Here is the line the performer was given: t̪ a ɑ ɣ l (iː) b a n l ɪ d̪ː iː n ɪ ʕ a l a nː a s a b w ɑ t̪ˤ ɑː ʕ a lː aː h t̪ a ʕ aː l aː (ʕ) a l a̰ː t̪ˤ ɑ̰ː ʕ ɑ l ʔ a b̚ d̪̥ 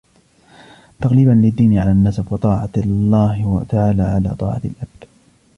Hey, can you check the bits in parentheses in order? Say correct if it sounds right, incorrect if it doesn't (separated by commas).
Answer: correct, correct